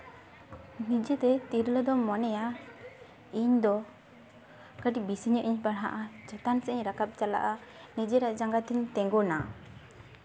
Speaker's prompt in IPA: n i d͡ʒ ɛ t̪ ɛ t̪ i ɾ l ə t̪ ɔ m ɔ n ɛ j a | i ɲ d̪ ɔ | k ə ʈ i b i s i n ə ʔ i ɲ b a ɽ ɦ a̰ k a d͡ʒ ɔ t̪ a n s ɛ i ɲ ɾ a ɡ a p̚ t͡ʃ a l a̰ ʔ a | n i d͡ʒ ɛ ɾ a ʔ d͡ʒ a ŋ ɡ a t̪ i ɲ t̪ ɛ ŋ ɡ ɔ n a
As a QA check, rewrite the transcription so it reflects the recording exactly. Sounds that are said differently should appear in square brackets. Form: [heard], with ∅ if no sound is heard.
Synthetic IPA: n i d͡ʒ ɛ t̪ ɛ t̪ i ɾ l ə [d̪] ɔ m ɔ n ɛ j a | i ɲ d̪ ɔ | k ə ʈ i b i s i [ɲ] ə ʔ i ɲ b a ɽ ɦ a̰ [ʔ] a d͡ʒ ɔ t̪ a n s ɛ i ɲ ɾ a [k] a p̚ t͡ʃ a l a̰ ʔ a | n i d͡ʒ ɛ ɾ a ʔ d͡ʒ a ŋ ɡ a t̪ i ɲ t̪ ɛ ŋ ɡ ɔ n a